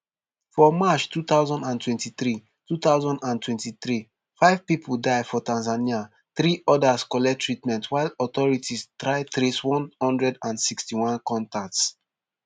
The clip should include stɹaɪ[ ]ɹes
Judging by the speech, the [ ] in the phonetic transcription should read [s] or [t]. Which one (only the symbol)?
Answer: t